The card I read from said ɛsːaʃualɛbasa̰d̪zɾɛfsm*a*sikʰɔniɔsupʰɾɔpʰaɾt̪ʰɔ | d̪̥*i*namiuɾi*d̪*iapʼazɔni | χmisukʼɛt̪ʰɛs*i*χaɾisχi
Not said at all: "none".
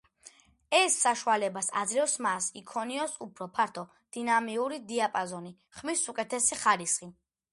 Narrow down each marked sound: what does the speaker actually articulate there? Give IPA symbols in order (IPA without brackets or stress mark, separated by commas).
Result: a, i, d̪, i